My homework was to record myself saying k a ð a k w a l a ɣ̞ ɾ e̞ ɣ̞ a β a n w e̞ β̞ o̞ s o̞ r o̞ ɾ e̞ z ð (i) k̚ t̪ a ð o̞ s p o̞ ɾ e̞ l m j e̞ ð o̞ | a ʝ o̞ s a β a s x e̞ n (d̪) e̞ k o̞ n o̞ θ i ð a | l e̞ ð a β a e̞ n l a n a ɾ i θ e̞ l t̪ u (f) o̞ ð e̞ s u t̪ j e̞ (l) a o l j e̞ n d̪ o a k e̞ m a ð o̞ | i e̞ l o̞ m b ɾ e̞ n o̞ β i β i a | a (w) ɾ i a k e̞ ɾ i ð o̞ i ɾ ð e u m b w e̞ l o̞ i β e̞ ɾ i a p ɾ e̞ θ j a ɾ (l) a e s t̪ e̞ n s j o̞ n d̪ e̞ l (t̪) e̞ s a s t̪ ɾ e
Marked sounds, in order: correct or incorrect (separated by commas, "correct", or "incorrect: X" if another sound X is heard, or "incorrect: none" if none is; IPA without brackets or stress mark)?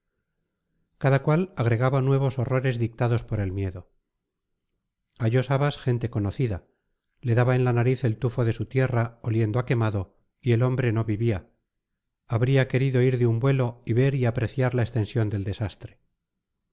correct, incorrect: t̪, correct, incorrect: r, incorrect: β, correct, incorrect: d̪